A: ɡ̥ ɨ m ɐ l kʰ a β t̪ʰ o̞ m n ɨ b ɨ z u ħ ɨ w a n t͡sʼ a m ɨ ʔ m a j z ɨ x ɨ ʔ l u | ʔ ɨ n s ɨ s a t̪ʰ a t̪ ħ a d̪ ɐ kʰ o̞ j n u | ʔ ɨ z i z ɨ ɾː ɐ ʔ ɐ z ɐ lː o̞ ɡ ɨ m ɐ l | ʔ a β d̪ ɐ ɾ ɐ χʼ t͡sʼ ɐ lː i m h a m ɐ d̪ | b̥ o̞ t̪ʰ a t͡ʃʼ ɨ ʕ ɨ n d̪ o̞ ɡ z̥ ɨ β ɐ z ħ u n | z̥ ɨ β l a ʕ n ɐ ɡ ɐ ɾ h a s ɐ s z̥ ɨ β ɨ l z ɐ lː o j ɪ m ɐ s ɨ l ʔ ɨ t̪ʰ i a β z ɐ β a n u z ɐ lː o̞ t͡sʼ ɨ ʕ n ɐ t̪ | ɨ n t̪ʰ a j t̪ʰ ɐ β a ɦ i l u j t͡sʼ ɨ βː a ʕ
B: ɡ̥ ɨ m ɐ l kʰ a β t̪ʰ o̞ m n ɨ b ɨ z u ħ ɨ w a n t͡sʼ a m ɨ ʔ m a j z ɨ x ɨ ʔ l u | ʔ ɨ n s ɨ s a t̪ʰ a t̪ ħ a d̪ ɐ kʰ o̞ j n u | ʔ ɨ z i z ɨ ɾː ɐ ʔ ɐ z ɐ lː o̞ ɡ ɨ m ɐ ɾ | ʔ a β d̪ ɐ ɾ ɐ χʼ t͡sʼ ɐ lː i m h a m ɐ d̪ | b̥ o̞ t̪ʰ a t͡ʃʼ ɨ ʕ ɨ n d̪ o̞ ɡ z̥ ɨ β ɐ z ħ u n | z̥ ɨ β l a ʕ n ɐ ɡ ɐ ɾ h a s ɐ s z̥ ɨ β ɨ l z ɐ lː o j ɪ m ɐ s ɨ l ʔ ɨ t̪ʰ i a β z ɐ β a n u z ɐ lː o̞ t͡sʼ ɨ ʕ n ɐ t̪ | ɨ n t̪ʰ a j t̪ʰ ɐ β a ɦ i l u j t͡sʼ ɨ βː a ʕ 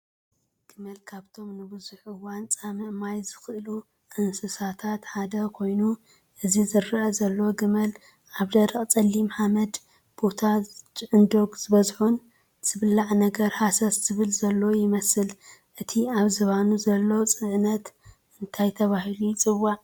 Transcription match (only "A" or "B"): A